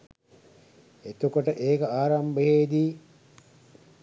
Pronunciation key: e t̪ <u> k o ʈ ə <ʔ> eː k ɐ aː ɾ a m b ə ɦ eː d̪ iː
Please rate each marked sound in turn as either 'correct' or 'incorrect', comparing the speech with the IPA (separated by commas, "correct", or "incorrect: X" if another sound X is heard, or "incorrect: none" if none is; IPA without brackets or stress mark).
correct, correct